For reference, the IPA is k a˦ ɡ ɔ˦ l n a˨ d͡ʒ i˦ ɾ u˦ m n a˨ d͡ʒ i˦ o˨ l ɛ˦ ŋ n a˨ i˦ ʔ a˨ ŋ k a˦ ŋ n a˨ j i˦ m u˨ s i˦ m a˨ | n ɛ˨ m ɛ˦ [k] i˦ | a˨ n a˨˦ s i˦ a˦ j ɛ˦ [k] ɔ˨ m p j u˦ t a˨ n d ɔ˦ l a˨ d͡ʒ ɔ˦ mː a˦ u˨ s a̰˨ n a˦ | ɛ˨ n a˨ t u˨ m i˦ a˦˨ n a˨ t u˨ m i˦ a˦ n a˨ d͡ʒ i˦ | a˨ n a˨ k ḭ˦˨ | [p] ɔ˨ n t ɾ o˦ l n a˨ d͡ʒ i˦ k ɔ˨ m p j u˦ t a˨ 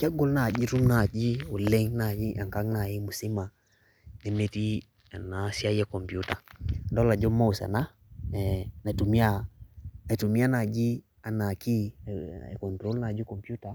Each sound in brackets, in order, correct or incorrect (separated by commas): incorrect, correct, incorrect